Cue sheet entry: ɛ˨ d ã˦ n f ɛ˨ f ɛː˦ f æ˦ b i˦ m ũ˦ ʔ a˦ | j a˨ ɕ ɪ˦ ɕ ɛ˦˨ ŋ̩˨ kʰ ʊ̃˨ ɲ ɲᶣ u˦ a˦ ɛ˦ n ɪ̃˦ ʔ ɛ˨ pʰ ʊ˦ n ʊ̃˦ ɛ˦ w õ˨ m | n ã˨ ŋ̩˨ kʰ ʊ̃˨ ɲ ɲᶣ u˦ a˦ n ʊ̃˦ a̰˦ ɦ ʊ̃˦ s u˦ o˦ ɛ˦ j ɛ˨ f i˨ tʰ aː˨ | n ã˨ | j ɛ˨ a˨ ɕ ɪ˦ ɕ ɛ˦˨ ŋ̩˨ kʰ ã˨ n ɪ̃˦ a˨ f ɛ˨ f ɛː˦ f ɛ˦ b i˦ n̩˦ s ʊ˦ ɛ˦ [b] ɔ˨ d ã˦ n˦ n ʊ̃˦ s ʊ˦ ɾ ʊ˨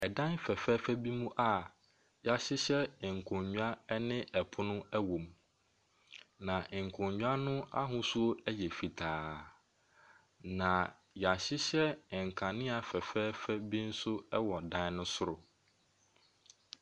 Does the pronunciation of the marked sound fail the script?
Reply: yes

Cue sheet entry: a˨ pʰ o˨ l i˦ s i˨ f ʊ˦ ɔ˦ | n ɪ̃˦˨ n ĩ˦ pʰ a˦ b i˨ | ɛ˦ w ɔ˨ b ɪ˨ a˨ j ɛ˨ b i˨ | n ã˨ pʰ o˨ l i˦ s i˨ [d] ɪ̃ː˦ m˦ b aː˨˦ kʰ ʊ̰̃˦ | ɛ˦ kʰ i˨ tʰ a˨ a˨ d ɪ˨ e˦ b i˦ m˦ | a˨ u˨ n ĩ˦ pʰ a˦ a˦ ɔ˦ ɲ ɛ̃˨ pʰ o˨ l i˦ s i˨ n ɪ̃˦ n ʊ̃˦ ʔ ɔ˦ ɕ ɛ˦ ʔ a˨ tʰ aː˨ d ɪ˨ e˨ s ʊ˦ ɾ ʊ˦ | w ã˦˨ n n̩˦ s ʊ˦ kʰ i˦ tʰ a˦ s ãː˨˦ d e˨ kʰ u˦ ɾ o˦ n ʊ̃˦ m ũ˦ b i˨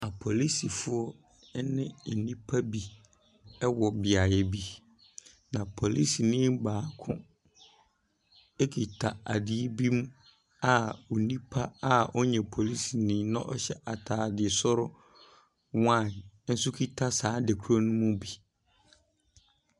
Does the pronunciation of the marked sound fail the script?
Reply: yes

